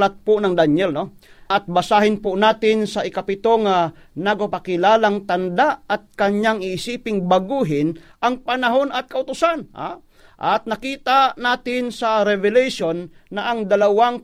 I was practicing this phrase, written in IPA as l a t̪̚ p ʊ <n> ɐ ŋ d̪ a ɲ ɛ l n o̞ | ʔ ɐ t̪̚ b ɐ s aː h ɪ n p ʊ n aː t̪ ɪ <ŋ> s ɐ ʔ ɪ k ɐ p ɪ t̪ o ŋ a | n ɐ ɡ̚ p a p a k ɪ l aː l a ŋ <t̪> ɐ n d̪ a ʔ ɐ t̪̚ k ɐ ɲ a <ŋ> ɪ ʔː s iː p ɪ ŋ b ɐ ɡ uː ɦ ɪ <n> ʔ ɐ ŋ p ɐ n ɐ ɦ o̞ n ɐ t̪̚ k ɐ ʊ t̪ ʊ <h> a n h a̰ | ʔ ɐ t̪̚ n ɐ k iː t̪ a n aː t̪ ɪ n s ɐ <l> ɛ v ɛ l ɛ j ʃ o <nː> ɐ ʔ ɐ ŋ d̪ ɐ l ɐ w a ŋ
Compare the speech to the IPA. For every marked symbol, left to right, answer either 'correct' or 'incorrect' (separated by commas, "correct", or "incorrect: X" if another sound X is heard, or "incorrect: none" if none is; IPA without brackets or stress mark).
correct, incorrect: n, correct, correct, correct, incorrect: s, incorrect: ɾ, correct